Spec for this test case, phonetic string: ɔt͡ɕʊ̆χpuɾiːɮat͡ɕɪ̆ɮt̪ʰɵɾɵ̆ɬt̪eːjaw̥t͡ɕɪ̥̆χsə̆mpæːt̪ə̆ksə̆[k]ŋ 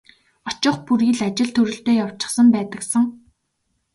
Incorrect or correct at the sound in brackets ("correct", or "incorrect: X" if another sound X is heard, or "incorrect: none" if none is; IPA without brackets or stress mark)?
incorrect: none